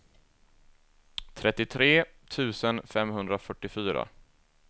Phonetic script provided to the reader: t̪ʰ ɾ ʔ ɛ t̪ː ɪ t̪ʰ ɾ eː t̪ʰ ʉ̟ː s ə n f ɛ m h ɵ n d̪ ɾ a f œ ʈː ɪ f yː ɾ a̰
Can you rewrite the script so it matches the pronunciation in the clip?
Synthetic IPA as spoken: t̪ʰ ɾ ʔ ɛ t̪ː ɪ t̪ʰ ɾ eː t̪ʰ ʉ̟ː s ə n f ɛ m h ɵ n d̪ ɾ a f œ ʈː ɪ f yː ɾ a̰